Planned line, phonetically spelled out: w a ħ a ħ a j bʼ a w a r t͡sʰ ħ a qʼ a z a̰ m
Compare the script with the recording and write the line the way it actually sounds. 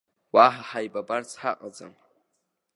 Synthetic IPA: w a ħ a ħ a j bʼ a b a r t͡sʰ ħ a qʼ a d͡z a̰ m